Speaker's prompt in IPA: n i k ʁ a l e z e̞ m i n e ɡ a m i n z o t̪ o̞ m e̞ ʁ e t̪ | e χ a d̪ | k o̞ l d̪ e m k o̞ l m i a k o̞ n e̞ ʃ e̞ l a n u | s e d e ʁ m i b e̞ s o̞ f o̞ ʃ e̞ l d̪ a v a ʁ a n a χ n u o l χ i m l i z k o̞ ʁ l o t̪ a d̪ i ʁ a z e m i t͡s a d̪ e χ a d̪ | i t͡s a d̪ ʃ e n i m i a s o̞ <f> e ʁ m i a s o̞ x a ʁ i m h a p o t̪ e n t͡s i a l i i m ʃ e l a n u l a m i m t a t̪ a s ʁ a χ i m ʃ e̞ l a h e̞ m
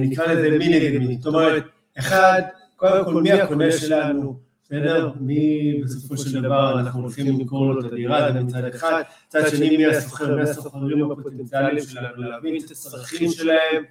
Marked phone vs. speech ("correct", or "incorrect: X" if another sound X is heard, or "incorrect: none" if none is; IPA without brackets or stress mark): incorrect: χ